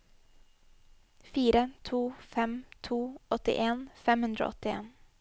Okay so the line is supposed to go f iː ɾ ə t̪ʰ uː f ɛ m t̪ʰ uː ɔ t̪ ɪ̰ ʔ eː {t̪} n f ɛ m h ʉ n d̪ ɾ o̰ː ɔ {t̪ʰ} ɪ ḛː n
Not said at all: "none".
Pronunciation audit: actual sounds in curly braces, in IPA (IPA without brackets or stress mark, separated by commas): none, t̪